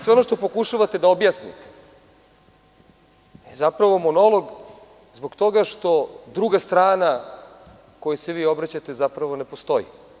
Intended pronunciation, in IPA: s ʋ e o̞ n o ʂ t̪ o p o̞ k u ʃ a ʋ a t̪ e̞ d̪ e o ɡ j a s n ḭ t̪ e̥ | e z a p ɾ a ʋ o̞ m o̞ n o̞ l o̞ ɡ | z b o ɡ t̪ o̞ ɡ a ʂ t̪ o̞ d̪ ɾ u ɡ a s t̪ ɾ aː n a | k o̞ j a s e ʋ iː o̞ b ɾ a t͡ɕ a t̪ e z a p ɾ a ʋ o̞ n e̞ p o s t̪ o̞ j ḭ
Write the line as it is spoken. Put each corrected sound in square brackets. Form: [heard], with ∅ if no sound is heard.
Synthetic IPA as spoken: s ʋ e o̞ n o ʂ t̪ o p o̞ k u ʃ a ʋ a t̪ e̞ d̪ [a] o [b] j a s n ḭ t̪ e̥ | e z a p ɾ a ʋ o̞ m o̞ n o̞ l o̞ ɡ | z b o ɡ t̪ o̞ ɡ a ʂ t̪ o̞ d̪ ɾ u ɡ a s t̪ ɾ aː n a | k o̞ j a s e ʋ iː o̞ b ɾ a t͡ɕ a t̪ e z a p ɾ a ʋ o̞ n e̞ p o s t̪ o̞ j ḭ